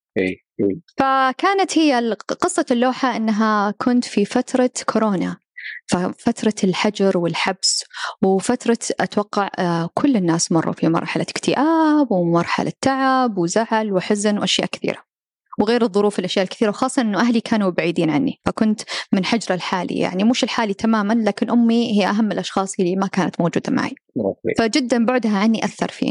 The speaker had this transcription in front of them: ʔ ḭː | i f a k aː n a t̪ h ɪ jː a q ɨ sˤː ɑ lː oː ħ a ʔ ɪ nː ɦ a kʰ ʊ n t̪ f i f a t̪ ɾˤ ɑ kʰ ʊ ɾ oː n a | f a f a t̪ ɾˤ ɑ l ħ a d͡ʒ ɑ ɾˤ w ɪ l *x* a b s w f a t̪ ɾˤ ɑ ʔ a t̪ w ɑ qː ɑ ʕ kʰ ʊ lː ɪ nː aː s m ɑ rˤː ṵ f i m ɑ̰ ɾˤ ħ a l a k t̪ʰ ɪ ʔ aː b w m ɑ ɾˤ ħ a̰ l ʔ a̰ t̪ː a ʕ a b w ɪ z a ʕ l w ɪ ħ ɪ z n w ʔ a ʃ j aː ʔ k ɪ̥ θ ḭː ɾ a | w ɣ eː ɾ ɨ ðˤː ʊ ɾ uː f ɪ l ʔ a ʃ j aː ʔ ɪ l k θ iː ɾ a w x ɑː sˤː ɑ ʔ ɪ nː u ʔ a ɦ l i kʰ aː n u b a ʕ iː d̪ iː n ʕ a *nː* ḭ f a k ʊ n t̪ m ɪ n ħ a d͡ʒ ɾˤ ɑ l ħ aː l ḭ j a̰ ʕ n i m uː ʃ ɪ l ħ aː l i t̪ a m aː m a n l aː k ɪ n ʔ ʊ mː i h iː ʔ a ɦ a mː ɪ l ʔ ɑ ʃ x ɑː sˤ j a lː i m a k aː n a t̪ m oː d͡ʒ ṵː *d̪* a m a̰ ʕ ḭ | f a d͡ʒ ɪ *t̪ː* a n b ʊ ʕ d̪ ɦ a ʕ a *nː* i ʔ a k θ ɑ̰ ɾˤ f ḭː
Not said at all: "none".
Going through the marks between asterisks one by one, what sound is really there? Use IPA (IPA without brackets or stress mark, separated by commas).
ħ, nː, d̪, d̪ː, nː